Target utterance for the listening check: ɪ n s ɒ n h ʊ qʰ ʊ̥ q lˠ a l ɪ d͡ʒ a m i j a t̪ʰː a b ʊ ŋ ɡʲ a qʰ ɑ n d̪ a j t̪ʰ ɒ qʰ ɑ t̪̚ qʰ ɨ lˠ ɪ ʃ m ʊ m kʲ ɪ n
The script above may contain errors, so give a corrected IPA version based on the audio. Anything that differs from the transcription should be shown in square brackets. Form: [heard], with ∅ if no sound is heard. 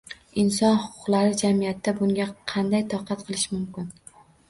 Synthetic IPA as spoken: ɪ n s ɒ n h ʊ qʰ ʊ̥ q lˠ a [ɾ] ɪ d͡ʒ a m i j a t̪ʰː a b ʊ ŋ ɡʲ a qʰ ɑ n d̪ a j t̪ʰ ɒ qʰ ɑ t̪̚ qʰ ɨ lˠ ɪ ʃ m ʊ m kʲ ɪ n